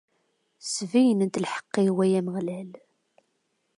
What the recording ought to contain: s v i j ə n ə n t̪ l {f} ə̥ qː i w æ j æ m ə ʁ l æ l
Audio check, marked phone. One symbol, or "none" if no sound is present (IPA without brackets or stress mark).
ħ